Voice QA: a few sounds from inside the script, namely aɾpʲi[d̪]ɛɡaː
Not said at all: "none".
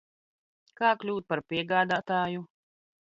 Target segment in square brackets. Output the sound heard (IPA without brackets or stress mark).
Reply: none